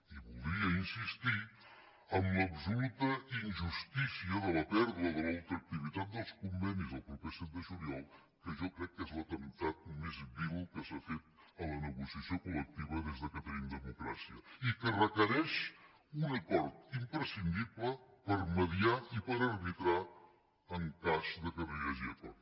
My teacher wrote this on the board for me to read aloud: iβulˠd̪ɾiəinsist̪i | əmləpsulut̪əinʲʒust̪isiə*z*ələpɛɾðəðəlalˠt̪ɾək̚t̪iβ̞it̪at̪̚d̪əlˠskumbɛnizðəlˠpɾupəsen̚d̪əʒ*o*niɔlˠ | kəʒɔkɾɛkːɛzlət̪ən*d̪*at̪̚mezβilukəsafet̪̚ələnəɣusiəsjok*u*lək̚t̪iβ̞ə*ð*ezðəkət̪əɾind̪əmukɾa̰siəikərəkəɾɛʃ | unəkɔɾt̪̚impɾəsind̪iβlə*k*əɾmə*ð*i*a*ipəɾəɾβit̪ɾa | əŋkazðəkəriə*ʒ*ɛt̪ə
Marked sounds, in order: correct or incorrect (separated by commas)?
incorrect, incorrect, incorrect, correct, correct, incorrect, correct, correct, correct